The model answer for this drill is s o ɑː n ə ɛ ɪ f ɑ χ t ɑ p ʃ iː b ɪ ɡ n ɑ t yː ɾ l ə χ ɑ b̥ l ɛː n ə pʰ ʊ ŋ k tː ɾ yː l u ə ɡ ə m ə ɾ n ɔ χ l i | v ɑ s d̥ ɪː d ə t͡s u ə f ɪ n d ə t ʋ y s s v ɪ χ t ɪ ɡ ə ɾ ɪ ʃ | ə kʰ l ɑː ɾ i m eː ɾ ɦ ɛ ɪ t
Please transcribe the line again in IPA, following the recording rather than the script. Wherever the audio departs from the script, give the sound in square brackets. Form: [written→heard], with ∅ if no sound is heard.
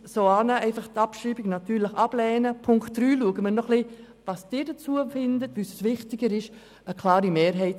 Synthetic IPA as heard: s o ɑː n ə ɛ ɪ f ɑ χ t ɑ p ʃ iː b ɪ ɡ n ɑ t yː ɾ l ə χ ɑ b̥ l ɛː n ə pʰ ʊ ŋ k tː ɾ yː l u ə ɡ ə m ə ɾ n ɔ χ l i | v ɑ s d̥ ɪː d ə t͡s u ə f ɪ n d ə t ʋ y s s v ɪ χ t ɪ ɡ ə ɾ ɪ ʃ | ə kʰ l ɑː ɾ i m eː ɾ ɦ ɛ ɪ t